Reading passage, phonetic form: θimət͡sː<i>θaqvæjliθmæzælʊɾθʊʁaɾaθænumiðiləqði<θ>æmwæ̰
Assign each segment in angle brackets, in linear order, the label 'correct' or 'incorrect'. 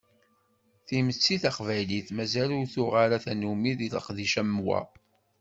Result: correct, incorrect: ʃ

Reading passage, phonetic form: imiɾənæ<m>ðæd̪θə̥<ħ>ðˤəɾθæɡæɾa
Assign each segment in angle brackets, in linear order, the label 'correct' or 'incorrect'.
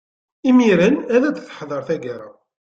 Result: incorrect: none, correct

